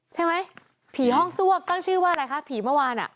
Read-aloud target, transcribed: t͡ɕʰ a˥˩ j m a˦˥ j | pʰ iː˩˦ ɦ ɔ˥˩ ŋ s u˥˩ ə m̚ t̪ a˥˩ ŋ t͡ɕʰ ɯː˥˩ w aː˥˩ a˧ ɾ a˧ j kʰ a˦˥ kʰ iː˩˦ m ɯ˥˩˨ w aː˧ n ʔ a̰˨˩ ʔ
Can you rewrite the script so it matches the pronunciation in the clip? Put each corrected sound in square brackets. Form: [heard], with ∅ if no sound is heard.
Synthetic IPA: t͡ɕʰ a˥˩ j m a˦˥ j | pʰ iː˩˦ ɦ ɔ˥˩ ŋ s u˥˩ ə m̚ t̪ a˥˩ ŋ t͡ɕʰ ɯː˥˩ w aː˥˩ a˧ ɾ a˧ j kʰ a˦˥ [pʰ] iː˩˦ m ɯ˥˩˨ w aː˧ n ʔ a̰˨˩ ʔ